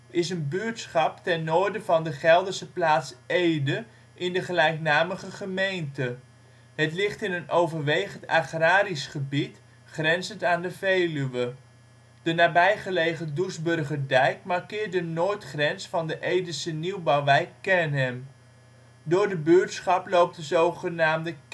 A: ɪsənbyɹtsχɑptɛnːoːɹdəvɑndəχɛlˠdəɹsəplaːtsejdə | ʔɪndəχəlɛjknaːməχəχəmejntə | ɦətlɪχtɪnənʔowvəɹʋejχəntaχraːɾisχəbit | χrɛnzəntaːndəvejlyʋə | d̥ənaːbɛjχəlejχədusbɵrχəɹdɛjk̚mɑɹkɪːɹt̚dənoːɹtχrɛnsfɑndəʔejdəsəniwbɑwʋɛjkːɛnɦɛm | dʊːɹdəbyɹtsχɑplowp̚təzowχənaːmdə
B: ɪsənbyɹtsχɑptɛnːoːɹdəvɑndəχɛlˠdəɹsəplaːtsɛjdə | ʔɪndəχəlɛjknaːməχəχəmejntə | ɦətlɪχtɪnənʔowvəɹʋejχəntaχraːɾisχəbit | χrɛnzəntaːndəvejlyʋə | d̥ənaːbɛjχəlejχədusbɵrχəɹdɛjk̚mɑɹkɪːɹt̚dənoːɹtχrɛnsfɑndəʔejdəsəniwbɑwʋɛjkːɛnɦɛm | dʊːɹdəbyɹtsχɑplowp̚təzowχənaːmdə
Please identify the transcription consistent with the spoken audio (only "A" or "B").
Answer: A